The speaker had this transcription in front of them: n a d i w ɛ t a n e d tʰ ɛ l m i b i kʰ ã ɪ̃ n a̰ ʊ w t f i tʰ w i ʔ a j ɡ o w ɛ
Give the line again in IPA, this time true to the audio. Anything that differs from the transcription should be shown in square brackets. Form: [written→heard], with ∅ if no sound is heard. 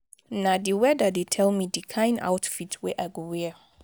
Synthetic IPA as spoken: n a d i w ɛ [t→d] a [n→d] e [d→∅] tʰ ɛ l m i [b→d] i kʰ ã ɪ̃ n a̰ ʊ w t f i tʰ w [i→ɛ] ʔ a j ɡ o w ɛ